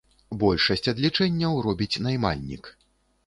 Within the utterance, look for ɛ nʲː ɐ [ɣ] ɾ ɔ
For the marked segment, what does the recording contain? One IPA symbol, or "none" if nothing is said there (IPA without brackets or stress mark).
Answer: w